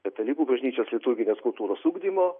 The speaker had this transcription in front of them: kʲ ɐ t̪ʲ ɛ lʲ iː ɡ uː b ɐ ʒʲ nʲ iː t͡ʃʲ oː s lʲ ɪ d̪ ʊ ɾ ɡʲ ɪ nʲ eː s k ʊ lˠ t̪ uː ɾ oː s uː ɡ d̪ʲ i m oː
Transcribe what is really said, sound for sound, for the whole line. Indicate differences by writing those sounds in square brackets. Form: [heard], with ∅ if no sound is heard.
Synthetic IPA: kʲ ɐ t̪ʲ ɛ lʲ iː [k] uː b ɐ ʒʲ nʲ iː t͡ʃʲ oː s lʲ ɪ [t̪] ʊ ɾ ɡʲ ɪ nʲ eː s k ʊ lˠ t̪ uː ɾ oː s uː ɡ d̪ʲ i m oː